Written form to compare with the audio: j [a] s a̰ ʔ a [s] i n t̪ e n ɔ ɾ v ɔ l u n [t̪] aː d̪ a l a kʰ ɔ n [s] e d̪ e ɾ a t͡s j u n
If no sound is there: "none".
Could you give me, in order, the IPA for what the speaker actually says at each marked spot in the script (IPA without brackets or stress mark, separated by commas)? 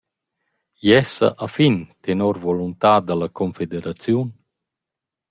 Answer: ɛ, f, t̪, f